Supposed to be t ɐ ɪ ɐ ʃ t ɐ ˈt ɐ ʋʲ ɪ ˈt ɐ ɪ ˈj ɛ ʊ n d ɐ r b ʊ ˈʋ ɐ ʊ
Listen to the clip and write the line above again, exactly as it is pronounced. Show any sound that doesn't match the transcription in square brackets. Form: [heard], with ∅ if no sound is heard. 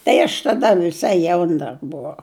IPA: t ɐ ɪ ɐ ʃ t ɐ [ˈd] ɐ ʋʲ ɪ [ˈs] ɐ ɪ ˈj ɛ ʊ n d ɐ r b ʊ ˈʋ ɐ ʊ